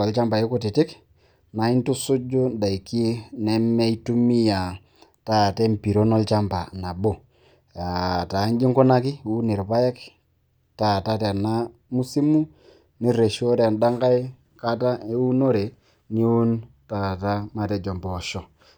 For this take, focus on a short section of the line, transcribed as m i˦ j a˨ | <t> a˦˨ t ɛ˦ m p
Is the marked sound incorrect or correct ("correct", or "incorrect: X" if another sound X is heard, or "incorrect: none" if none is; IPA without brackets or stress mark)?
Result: correct